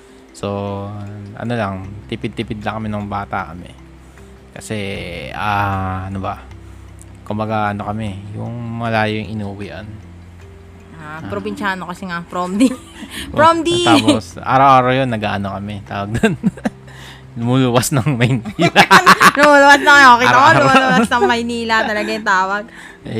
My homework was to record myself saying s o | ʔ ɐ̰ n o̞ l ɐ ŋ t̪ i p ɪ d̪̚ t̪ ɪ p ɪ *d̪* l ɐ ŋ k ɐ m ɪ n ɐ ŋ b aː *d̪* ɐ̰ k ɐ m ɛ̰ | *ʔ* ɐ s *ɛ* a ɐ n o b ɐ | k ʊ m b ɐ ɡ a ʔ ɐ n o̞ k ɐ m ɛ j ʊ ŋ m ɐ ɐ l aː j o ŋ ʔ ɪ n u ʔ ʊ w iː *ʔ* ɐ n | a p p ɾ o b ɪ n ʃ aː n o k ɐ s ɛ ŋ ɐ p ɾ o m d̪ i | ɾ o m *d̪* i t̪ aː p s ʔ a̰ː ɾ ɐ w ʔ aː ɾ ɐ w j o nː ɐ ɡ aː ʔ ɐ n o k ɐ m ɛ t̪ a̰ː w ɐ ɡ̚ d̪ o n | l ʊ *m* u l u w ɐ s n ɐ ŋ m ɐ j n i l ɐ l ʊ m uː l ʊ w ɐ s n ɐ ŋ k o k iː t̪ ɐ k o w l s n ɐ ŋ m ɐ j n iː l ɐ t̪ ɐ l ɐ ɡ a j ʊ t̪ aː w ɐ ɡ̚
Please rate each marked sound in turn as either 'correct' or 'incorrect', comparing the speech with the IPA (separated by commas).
correct, incorrect, incorrect, correct, correct, correct, correct